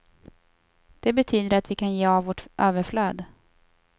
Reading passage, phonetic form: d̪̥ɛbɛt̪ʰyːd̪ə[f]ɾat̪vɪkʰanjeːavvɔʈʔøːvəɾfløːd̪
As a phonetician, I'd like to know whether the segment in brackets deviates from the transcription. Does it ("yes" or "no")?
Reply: yes